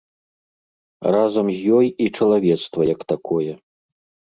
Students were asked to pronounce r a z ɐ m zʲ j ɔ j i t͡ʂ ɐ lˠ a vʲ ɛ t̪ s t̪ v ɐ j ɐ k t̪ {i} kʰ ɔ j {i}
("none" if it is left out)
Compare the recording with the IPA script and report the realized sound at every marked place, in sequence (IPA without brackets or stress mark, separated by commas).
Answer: a, ɛ